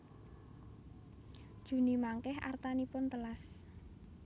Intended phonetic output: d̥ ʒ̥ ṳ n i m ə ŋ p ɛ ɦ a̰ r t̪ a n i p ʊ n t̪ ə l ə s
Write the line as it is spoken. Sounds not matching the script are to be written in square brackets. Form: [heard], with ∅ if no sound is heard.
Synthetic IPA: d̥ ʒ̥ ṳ n i m [a] ŋ [k] ɛ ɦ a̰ r t̪ a n i p ʊ n t̪ ə l [a] s